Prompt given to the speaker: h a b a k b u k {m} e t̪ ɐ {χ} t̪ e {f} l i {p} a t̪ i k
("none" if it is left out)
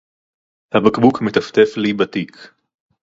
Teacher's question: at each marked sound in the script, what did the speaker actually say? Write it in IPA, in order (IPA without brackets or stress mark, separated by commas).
m, f, f, b